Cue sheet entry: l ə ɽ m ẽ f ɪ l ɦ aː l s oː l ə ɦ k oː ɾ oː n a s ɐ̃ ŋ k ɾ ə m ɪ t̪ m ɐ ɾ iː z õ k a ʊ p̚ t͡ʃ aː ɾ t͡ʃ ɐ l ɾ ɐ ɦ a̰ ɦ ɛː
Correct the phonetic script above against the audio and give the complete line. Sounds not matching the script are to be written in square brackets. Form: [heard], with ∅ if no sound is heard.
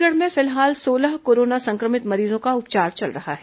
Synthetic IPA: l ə ɽ m ẽ f ɪ l ɦ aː l s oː l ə ɦ k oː ɾ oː n a s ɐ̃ ŋ k ɾ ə m ɪ t̪ m ɐ ɾ iː z õ k a ʊ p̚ t͡ʃ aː ɾ t͡ʃ ɐ l ɾ ɐ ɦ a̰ ɦ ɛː